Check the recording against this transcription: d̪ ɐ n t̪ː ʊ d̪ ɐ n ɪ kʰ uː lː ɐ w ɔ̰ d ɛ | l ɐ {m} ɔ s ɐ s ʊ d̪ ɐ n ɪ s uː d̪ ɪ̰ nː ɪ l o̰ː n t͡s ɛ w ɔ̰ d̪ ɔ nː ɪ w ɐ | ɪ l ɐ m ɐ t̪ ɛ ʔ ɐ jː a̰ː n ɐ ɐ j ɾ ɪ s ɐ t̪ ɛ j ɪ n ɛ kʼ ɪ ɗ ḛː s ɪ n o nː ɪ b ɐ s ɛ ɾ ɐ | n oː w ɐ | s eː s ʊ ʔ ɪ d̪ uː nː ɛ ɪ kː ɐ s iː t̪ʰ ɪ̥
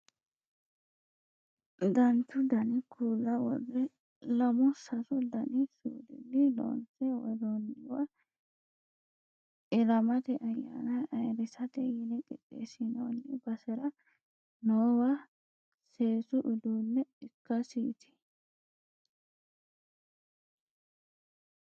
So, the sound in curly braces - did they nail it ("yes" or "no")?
yes